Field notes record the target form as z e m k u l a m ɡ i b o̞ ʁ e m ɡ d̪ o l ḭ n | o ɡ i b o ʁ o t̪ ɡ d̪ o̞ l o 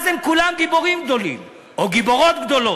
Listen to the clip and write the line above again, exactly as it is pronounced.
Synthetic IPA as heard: z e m k u l a m ɡ i b o̞ ʁ i m ɡ d̪ o l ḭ m | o ɡ i b o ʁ o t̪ ɡ d̪ o̞ l o